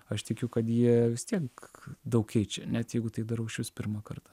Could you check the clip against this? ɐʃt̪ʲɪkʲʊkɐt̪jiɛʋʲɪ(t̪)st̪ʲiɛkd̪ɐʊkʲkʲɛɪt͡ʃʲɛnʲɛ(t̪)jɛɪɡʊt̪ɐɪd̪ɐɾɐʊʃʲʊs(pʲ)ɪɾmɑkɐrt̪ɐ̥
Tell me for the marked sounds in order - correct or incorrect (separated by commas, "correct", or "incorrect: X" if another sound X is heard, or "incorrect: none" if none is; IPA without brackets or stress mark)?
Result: incorrect: none, correct, correct